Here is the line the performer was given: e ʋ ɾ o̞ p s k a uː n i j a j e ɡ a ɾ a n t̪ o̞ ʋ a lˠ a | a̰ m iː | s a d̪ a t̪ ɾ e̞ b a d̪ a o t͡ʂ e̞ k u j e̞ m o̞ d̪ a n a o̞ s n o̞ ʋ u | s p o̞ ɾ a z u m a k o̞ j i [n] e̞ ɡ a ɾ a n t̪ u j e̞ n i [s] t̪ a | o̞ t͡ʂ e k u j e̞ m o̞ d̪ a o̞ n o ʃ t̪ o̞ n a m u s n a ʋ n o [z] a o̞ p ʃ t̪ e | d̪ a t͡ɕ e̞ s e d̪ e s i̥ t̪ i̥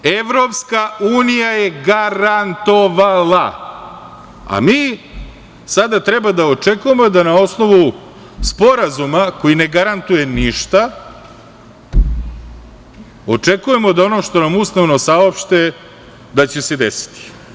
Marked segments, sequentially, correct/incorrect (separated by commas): correct, incorrect, incorrect